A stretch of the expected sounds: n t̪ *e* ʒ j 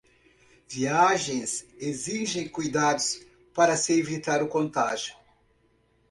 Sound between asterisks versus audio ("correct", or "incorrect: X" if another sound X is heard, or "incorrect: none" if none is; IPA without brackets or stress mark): incorrect: a